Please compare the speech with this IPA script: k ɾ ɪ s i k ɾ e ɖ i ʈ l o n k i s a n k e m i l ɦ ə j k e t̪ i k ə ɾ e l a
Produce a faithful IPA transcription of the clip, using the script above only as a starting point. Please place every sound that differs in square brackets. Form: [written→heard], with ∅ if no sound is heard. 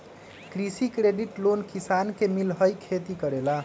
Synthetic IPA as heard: k ɾ [ɪ→i] s i k ɾ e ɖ i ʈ l o n k i s a n k e m i l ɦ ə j [k→kʰ] e t̪ i k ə ɾ e l a